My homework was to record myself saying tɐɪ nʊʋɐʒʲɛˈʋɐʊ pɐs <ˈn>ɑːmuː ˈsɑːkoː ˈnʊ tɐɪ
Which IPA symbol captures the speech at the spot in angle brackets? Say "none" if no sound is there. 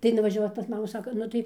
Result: m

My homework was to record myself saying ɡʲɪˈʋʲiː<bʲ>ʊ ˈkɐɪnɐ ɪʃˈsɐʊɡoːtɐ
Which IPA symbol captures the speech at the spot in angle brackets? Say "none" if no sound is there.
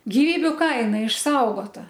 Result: bʲ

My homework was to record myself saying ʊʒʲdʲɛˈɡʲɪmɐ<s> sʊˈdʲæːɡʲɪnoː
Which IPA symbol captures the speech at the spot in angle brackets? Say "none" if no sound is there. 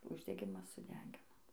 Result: s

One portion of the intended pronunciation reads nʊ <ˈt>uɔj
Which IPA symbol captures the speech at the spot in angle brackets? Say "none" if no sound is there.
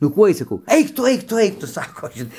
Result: k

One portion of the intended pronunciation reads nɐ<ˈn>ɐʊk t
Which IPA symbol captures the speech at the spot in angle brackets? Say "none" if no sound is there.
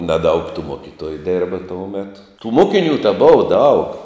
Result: d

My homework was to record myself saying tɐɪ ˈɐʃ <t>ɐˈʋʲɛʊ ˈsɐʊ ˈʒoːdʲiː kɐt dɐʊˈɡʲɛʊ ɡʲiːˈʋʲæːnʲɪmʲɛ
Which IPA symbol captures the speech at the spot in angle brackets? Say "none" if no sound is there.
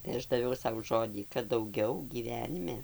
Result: d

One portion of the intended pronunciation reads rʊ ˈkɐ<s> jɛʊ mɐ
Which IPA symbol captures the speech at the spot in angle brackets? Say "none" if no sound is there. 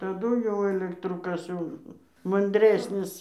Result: s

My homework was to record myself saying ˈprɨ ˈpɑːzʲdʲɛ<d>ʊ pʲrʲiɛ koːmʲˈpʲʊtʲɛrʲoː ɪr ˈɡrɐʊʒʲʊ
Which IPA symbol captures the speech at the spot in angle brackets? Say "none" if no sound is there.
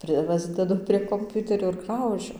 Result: d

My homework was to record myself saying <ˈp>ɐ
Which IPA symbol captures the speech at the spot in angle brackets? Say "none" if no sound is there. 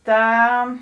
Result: t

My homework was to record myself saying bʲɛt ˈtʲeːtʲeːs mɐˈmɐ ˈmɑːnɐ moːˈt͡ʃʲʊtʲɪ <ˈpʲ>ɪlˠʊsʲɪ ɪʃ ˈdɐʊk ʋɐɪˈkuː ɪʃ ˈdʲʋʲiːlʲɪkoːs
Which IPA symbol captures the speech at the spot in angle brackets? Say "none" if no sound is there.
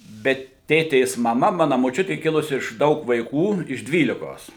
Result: kʲ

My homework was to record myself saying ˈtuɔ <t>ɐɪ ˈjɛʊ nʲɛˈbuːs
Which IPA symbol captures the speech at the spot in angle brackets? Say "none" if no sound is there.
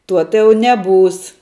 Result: t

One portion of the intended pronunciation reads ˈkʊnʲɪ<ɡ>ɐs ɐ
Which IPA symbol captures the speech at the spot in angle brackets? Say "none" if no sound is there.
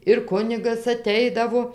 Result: ɡ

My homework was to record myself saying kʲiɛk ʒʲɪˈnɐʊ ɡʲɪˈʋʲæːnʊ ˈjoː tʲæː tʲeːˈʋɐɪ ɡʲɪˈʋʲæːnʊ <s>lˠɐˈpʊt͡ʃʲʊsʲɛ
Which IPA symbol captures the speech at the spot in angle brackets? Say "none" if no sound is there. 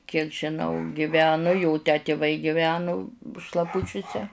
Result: ʃ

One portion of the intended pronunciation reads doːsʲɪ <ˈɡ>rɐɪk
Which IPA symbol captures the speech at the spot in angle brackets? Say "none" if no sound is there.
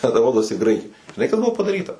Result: ɡ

